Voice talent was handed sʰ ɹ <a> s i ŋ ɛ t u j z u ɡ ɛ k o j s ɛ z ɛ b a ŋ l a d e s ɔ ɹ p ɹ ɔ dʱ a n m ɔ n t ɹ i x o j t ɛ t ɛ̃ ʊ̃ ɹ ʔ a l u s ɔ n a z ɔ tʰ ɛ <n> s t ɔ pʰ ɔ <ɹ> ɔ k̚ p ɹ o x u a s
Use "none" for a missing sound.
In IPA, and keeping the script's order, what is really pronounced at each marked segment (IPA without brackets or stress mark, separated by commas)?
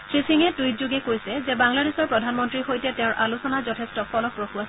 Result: i, none, l